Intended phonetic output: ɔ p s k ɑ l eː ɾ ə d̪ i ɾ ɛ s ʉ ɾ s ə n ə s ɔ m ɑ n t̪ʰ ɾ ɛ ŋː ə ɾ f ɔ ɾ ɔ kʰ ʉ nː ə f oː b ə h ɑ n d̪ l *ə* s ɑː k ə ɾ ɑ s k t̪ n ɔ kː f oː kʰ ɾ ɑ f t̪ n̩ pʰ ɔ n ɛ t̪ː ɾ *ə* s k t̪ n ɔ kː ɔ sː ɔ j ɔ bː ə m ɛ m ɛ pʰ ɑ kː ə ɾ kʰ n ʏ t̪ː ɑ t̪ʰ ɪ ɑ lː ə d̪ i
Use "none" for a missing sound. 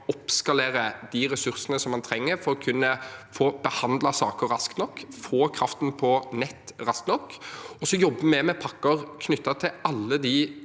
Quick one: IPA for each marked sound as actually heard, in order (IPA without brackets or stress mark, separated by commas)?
ɑ, ɑ